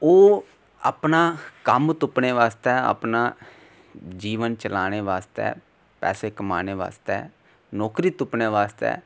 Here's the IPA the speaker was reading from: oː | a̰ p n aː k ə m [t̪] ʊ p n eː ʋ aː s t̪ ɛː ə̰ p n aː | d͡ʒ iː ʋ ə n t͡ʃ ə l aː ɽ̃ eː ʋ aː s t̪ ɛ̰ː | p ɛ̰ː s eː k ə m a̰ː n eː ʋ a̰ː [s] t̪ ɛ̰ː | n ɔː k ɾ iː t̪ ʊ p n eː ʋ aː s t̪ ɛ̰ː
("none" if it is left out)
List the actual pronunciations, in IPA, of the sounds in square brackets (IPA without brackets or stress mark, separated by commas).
t̪, s